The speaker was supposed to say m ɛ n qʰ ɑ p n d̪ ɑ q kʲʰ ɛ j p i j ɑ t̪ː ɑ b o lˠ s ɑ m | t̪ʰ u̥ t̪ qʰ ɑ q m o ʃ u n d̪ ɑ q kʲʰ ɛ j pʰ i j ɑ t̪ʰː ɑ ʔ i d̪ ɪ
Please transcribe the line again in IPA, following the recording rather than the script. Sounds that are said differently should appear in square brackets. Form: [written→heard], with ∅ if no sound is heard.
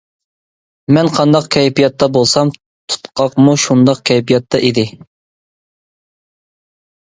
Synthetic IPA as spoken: m ɛ n qʰ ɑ [p→∅] n d̪ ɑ q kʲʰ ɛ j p i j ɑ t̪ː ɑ b o lˠ s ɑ m | t̪ʰ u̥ t̪ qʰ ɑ q m [o→u] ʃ u n d̪ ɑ q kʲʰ ɛ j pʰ i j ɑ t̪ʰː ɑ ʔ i d̪ ɪ